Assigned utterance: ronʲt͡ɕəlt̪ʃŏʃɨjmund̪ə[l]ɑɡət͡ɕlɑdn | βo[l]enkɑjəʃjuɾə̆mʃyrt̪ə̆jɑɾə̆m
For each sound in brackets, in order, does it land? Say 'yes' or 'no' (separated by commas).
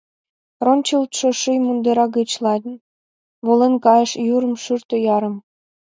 no, yes